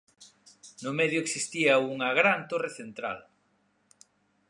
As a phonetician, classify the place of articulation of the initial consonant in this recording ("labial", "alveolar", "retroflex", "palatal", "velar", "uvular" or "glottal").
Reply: alveolar